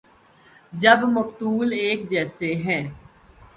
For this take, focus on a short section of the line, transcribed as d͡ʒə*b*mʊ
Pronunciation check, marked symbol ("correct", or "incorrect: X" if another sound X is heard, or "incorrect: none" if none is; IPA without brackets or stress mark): correct